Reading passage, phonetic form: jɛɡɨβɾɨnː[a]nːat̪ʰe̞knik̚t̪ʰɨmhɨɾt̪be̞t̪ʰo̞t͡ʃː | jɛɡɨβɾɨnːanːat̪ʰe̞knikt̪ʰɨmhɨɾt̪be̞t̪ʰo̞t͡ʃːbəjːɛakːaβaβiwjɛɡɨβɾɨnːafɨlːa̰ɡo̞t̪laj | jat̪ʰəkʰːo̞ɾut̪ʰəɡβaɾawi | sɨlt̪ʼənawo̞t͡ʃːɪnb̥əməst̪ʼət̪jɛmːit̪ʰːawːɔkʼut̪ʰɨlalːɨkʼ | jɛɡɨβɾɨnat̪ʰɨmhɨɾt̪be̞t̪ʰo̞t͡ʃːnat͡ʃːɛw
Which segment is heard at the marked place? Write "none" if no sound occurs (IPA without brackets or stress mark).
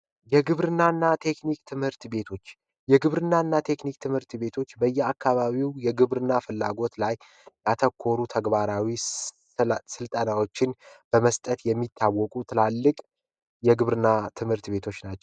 a